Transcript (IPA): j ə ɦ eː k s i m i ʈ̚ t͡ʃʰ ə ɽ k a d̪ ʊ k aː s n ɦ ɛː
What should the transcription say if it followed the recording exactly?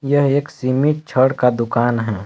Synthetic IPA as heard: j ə ɦ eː k s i m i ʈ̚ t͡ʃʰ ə ɽ k a d̪ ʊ k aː n ɦ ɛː